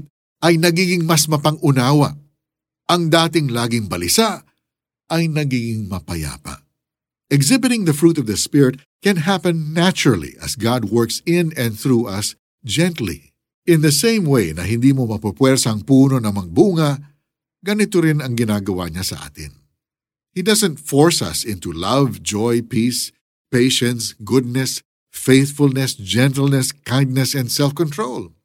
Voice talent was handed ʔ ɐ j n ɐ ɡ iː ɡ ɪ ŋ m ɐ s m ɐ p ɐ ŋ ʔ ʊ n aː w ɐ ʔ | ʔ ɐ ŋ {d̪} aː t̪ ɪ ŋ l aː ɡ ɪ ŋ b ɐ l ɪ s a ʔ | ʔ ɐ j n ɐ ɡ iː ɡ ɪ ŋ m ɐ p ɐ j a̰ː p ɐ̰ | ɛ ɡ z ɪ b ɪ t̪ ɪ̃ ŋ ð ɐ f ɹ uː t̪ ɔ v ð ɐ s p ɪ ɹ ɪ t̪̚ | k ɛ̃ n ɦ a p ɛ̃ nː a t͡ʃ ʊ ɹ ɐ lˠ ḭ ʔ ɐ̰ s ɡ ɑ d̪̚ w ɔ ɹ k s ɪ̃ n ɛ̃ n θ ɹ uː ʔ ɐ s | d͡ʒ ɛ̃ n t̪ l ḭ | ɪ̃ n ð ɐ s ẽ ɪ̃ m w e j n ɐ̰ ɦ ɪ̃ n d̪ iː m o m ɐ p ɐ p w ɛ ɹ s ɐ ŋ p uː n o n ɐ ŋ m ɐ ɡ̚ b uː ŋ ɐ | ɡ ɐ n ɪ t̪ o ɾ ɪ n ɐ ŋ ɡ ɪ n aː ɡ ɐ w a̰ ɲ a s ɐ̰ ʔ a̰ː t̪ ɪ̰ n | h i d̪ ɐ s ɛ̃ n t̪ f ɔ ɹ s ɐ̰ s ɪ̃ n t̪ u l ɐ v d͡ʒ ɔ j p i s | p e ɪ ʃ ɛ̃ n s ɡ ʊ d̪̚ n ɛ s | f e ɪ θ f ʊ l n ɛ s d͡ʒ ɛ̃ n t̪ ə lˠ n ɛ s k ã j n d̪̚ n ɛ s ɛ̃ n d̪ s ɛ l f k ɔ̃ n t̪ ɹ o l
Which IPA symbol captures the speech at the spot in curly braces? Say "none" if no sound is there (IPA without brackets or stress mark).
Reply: d̪